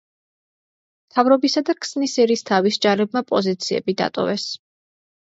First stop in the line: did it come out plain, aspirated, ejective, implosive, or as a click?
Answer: aspirated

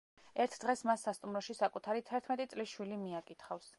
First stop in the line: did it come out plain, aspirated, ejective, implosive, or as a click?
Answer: aspirated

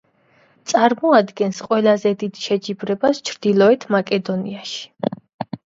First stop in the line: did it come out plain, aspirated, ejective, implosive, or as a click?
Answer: plain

